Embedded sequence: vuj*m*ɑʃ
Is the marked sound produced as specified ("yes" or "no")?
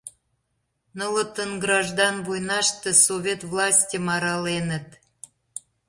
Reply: no